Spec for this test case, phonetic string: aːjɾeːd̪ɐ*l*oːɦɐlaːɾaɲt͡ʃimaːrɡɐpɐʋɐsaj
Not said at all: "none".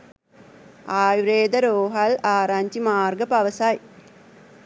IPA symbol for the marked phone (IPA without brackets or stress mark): ɾ